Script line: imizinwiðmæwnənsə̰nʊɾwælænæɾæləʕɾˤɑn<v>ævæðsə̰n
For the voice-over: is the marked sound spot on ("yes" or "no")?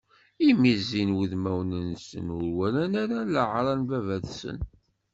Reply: yes